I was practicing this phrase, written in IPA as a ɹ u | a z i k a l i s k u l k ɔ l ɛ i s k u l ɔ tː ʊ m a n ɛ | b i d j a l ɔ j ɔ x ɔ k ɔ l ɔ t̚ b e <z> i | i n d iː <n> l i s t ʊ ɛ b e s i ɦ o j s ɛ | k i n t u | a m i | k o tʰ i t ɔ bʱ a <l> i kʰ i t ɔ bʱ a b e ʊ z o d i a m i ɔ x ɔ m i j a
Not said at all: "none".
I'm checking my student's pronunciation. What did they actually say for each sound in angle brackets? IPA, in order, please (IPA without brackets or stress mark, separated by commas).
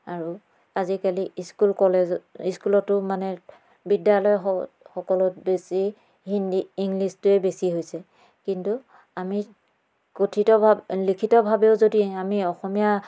s, ŋ, l